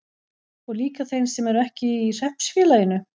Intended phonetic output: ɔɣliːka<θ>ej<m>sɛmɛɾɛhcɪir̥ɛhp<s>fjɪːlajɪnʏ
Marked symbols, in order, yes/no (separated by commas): yes, no, yes